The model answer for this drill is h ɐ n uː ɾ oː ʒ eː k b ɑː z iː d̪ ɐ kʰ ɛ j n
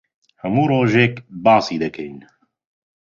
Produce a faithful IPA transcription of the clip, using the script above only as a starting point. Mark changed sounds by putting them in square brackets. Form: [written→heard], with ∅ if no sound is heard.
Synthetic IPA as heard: h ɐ [n→m] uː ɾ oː ʒ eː k b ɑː [z→s] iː d̪ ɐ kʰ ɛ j n